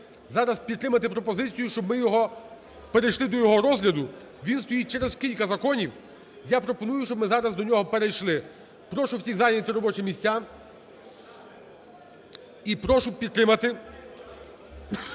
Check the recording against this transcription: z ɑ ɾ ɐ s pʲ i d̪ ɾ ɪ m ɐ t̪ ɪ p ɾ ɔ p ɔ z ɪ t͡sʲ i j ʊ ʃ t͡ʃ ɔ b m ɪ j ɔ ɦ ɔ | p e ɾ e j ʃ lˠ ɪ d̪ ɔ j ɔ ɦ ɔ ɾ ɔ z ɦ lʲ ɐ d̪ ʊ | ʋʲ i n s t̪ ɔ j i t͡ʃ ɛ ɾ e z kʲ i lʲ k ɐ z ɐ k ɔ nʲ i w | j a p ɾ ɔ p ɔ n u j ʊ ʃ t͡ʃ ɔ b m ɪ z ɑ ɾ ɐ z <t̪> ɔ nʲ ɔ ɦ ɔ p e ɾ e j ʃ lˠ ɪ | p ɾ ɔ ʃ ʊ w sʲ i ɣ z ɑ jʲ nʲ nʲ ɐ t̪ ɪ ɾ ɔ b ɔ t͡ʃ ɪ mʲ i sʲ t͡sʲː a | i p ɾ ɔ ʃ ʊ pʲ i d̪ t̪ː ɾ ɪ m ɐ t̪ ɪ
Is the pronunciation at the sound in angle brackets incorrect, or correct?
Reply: incorrect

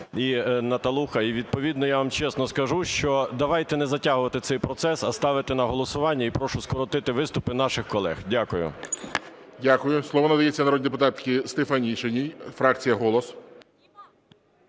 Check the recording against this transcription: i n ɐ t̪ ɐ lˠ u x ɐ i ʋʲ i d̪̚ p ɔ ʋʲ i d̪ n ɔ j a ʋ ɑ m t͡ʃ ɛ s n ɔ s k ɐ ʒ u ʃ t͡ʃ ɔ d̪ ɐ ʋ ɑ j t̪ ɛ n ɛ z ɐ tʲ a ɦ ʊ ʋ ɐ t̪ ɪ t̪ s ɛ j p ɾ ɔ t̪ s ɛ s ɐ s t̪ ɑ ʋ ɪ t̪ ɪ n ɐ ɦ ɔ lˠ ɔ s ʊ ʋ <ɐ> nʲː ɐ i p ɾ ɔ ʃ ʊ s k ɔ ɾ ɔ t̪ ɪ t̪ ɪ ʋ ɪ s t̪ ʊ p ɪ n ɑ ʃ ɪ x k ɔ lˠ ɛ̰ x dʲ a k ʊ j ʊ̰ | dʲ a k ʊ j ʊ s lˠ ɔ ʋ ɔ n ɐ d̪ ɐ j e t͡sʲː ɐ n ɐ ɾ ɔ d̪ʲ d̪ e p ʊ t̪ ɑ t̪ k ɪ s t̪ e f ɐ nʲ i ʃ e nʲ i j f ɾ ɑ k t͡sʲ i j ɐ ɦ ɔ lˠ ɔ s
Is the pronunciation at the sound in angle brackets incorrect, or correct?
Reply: incorrect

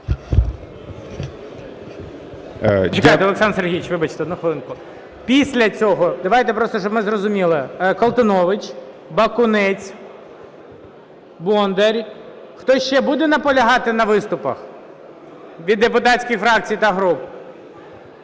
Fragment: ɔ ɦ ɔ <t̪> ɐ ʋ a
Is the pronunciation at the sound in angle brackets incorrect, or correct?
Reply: incorrect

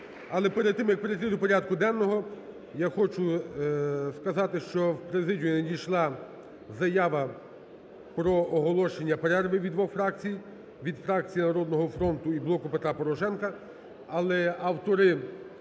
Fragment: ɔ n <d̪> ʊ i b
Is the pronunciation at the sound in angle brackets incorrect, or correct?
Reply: incorrect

